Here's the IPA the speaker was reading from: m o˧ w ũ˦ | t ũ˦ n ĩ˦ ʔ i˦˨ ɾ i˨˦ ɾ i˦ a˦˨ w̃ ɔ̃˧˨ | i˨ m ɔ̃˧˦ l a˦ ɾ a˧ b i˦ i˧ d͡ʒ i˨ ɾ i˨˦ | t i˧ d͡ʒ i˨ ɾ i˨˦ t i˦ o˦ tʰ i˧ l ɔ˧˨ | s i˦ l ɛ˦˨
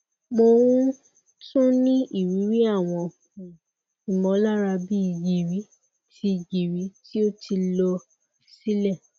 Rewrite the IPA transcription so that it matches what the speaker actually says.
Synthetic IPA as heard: m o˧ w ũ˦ | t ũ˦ n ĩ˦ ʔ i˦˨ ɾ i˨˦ ɾ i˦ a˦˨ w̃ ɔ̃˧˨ | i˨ m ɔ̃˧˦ l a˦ ɾ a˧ b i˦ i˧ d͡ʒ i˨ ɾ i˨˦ | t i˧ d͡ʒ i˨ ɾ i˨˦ t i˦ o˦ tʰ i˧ l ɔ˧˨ | s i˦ l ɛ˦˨